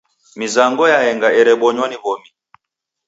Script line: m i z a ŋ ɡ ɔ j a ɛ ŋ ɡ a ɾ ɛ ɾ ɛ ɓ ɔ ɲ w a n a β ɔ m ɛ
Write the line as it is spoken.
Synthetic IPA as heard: m i z a ŋ ɡ ɔ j a ɛ ŋ ɡ a ɛ ɾ ɛ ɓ ɔ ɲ w a n i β ɔ m i

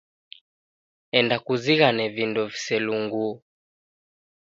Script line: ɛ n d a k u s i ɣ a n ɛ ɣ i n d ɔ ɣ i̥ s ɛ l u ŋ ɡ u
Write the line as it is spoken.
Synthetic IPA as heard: ɛ n d a k u z i ɣ a n ɛ v i n d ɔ v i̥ s ɛ l u ŋ ɡ u

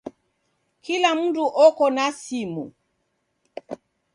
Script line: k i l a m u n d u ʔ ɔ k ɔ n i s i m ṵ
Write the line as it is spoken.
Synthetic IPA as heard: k i l a m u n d u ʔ ɔ k ɔ n a s i m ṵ

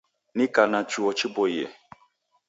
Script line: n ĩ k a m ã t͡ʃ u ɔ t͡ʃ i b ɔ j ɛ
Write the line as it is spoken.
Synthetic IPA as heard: n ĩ k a n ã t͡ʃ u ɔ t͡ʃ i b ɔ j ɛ

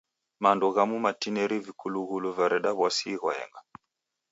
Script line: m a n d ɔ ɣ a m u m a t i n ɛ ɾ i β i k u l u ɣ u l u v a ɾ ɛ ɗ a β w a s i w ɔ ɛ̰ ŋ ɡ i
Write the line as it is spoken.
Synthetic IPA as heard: m a n d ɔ ɣ a m u m a t i n ɛ ɾ i v i k u l u ɣ u l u v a ɾ ɛ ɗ a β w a s i ɣ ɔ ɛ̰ ŋ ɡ a

